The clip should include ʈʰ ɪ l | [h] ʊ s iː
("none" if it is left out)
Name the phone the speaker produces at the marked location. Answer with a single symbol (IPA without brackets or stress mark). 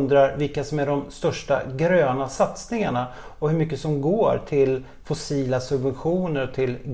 f